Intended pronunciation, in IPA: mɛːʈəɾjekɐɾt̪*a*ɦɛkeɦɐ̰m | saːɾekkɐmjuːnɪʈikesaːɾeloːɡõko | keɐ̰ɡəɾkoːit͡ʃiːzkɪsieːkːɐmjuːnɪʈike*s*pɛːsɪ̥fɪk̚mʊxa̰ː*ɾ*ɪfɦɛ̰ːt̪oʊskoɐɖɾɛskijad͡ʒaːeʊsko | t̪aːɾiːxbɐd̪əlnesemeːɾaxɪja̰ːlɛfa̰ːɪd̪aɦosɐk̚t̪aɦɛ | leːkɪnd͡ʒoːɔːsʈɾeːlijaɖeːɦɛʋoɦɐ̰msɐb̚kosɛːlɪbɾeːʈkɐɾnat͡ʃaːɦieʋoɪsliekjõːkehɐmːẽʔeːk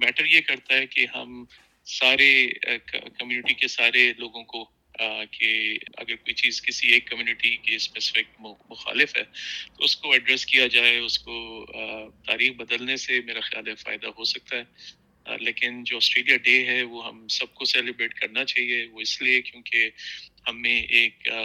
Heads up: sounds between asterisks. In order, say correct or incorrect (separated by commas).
correct, correct, incorrect